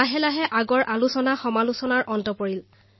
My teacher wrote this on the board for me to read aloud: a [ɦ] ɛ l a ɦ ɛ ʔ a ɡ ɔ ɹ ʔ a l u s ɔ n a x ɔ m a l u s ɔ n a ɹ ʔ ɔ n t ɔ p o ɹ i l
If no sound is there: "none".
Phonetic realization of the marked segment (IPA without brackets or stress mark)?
ɦ